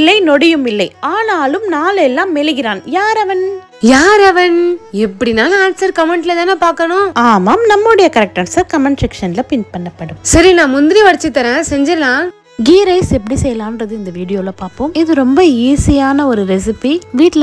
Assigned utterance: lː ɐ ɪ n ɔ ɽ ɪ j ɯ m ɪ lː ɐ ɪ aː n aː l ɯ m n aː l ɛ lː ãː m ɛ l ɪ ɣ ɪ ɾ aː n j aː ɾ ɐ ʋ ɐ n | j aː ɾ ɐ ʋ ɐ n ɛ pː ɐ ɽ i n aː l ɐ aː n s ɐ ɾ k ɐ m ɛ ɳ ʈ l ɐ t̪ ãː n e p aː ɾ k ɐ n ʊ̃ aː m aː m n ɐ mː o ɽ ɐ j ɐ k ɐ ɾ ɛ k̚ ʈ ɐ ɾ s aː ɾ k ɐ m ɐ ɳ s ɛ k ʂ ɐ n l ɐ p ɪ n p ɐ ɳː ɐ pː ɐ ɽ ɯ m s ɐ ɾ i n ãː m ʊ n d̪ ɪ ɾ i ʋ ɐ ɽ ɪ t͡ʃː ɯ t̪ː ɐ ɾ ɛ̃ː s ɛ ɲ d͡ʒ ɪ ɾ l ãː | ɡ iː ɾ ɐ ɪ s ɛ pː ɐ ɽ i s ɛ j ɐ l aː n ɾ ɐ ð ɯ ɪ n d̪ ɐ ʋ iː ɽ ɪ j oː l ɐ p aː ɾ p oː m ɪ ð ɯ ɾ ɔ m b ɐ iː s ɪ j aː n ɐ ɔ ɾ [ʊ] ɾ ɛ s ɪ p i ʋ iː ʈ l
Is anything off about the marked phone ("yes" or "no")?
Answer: yes